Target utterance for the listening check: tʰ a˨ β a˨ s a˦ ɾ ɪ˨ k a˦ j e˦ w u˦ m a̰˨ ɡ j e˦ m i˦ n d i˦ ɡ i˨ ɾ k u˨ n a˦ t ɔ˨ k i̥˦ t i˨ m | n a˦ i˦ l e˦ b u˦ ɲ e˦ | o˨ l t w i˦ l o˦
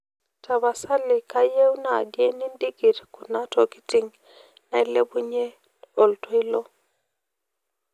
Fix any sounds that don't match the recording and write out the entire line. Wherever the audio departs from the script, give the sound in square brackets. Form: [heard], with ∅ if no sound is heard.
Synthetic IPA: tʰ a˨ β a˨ s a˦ [l] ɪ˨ k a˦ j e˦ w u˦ [n] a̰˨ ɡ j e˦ [n] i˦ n d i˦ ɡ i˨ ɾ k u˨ n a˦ t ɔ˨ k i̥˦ t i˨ [ŋ] | n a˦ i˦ l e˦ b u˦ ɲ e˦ | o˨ l t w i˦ l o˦

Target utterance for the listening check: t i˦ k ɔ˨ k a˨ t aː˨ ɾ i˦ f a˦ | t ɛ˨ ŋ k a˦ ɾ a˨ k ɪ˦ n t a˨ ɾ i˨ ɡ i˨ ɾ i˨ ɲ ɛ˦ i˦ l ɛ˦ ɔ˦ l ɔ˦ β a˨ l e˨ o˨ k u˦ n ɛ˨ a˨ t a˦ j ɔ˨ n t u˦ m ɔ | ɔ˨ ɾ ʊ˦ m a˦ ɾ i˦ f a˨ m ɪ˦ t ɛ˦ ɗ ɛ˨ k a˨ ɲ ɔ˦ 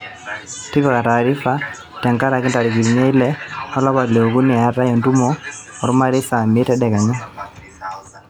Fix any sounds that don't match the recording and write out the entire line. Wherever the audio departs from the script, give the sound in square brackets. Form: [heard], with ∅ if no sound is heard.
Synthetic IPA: t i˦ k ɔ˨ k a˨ t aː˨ ɾ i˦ f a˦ | t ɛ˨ ŋ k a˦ ɾ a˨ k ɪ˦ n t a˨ ɾ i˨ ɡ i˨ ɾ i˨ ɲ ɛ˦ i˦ l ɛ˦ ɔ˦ l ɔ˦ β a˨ l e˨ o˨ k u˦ n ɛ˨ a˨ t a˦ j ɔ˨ n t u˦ m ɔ | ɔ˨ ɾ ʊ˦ m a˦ ɾ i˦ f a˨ m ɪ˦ t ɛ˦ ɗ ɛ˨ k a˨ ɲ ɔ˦

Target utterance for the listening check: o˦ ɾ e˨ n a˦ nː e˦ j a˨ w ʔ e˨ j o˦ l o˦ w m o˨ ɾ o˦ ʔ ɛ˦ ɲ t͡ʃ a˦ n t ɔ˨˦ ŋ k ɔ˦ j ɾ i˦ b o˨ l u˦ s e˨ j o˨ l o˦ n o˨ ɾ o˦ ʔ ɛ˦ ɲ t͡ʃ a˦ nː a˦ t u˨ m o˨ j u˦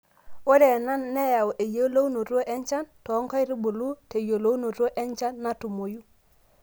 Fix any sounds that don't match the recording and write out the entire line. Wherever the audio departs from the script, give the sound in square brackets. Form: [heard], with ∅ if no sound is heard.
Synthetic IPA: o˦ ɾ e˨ n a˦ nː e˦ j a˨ w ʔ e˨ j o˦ l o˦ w [n] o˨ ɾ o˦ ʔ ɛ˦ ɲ t͡ʃ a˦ n t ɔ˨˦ ŋ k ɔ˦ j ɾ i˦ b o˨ l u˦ [t] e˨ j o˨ l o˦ n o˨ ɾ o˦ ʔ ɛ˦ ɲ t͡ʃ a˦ nː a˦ t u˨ m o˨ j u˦

